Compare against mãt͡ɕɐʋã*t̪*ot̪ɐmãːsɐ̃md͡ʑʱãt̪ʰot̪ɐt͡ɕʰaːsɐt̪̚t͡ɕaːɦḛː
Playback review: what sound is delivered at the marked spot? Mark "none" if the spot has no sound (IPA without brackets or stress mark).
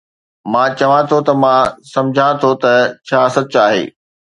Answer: t̪ʰ